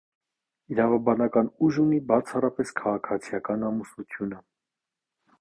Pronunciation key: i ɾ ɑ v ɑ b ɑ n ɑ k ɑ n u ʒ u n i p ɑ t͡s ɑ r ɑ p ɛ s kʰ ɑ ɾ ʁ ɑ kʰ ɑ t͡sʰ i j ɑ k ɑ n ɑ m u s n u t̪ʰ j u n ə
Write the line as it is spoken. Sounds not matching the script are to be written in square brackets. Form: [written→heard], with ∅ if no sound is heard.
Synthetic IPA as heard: i ɾ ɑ v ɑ b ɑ n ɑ k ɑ n u ʒ u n i [p→b] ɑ [t͡s→t͡sʰ] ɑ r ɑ p ɛ s kʰ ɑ [ɾ→∅] ʁ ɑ kʰ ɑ t͡sʰ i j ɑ k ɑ n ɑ m u s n u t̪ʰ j u n ə